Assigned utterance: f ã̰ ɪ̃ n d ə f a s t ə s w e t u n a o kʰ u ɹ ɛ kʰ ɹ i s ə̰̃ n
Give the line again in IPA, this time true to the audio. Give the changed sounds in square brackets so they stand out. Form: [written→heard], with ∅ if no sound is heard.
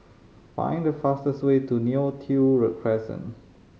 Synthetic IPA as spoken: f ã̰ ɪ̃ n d ə f a s t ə s w e t u n [a→i] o [kʰ→tʰ] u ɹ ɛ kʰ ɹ [i→ɛ] s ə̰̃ n